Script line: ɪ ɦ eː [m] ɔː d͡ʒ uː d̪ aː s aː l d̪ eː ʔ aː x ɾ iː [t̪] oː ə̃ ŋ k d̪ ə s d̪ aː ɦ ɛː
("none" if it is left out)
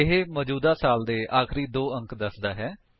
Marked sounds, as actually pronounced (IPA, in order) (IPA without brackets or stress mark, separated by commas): m, d̪